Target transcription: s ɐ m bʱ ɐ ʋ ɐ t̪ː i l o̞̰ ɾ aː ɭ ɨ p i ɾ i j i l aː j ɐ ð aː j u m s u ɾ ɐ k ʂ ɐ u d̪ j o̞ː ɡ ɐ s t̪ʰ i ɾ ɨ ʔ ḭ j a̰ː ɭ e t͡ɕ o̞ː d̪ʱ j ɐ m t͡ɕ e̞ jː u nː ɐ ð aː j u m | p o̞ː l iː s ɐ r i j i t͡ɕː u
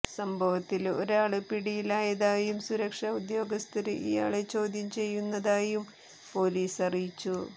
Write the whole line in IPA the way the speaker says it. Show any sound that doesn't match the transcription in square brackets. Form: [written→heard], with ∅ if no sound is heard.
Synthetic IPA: s ɐ m bʱ ɐ ʋ ɐ t̪ː i l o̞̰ ɾ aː ɭ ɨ p i [ɾ→ɽ] i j i l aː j ɐ ð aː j u m s u ɾ ɐ k ʂ ɐ u d̪ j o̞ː ɡ ɐ s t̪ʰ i ɾ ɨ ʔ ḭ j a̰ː ɭ e t͡ɕ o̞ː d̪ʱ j ɐ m t͡ɕ e̞ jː u nː ɐ ð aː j u m | p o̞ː l iː s ɐ r i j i t͡ɕː u